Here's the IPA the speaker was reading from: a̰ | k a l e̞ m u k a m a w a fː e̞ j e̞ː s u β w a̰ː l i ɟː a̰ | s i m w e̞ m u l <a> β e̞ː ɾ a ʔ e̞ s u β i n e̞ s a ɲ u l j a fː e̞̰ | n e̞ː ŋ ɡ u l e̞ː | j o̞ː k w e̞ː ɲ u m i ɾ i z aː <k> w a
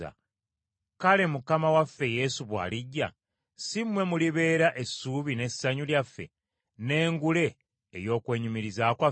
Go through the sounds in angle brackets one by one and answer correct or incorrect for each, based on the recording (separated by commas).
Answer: incorrect, correct